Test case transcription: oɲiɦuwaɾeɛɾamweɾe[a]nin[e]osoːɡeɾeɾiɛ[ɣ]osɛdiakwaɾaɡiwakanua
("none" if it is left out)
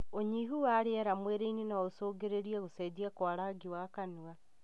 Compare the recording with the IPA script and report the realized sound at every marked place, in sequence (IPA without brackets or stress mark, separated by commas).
i, a, ɣ